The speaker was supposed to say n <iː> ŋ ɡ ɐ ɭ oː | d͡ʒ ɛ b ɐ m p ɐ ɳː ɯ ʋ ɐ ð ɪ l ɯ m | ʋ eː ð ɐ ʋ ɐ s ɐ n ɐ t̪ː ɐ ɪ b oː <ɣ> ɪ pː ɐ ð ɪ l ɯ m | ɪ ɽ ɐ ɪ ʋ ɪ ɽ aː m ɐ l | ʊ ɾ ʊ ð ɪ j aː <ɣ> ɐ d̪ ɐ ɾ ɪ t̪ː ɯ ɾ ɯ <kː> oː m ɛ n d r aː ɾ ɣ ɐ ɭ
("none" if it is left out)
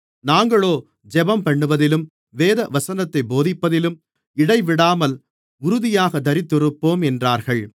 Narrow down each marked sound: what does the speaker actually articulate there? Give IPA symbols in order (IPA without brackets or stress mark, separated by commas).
aː, ð, ɣ, pː